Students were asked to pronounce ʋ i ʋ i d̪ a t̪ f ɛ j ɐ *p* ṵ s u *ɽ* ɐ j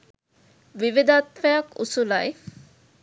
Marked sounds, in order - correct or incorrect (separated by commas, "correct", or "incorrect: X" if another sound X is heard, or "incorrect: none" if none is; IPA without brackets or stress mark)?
incorrect: k, incorrect: l